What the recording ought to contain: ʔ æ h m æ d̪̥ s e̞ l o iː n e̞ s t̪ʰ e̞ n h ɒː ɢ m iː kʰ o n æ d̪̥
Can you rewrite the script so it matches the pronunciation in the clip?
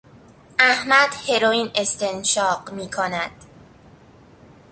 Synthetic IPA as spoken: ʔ æ h m æ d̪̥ h e̞ ɾ o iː n e̞ s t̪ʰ e̞ n ʃ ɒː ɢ m iː kʰ o n æ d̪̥